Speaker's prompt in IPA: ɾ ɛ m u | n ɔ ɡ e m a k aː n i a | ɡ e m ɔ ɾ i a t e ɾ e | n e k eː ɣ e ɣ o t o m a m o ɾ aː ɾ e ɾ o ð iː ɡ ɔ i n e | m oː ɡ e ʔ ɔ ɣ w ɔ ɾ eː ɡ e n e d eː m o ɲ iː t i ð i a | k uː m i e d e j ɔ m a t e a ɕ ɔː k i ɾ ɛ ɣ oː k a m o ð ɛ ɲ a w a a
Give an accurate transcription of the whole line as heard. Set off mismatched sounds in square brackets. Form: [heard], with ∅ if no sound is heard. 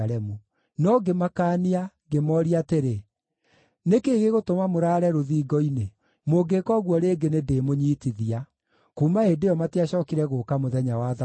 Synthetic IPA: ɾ ɛ m u | n ɔ ɡ e m a k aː n i a | ɡ e m ɔ ɾ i a t e ɾ e | n e k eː ɣ e ɣ o t o m a m o ɾ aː ɾ [ɛ] ɾ o ð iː ɡ ɔ i n e | m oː ɡ e [k] ɔ ɣ w ɔ ɾ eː ɡ e n e d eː m o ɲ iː t i ð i a | k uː m [a] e d e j ɔ m a t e a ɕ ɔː k i ɾ ɛ ɣ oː k a m o ð ɛ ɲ a w a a